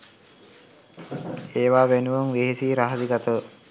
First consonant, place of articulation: labial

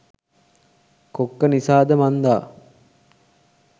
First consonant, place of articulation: velar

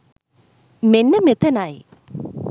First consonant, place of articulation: labial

